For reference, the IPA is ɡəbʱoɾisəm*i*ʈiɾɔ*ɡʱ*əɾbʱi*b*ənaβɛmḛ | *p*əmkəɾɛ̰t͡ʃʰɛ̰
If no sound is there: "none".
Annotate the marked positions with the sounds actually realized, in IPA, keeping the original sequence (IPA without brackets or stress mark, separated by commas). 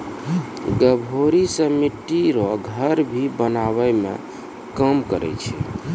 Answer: i, ɡʱ, b, k